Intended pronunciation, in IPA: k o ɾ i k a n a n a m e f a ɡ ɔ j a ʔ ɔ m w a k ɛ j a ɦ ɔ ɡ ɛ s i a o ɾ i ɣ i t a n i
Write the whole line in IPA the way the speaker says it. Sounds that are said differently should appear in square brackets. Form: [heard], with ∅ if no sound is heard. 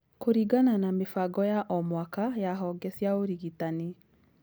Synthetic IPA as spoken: k o ɾ i [ɡ] a n a n a m e f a ɡ ɔ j a ʔ ɔ m w a k [a] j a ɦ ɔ ɡ ɛ s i a o ɾ i ɣ i t a n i

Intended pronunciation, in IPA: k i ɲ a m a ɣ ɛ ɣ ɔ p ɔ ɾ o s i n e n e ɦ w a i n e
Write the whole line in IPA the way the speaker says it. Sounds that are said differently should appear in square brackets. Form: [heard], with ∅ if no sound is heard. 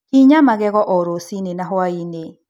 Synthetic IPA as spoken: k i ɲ a m a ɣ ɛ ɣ ɔ [ʔ] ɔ ɾ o s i n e n [a] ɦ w a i n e

